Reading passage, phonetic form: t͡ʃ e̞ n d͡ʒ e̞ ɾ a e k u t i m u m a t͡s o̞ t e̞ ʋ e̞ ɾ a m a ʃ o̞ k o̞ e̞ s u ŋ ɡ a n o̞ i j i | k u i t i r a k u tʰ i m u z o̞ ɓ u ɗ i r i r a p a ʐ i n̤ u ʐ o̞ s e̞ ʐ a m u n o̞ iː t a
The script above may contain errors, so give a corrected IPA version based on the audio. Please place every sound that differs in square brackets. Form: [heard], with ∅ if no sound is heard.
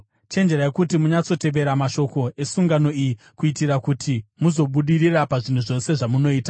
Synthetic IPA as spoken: t͡ʃ e̞ n d͡ʒ e̞ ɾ a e k u t i m u [ɲ] a t͡s o̞ t e̞ ʋ e̞ ɾ a m a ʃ o̞ k o̞ e̞ s u ŋ ɡ a n o̞ i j i | k u i t i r a k u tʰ i m u z o̞ ɓ u ɗ i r i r a p a ʐ i n̤ u ʐ o̞ s e̞ ʐ a m u n o̞ iː t a